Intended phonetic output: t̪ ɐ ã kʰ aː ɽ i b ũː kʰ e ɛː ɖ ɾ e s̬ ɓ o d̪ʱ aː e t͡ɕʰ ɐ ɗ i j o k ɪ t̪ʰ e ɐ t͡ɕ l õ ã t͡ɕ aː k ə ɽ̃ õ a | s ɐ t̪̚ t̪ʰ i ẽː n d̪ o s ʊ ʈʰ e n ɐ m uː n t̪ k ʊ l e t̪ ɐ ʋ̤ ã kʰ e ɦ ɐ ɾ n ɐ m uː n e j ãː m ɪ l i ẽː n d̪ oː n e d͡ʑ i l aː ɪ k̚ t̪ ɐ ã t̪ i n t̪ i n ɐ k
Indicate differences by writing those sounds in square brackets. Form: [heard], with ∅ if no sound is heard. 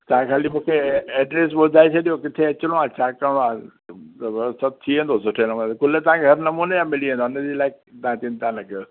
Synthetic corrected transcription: t̪ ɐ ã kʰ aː [l] i [m] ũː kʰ e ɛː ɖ ɾ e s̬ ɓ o d̪ʱ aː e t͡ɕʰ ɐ ɗ i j o k ɪ t̪ʰ e ɐ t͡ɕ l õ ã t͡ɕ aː k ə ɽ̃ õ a | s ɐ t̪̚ t̪ʰ i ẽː n d̪ o s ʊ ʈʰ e n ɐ m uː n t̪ k ʊ l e t̪ ɐ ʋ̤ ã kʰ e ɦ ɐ ɾ n ɐ m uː n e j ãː m ɪ l i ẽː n d̪ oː n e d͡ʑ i l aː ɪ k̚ t̪ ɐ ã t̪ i n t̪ [a] n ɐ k